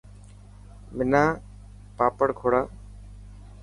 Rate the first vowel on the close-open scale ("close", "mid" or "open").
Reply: close